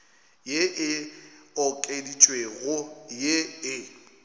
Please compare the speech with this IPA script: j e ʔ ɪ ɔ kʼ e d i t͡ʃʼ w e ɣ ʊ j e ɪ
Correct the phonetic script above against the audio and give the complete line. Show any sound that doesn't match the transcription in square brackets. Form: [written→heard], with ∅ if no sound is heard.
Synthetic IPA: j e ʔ ɪ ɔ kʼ e d i t͡ʃʼ w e ɣ ʊ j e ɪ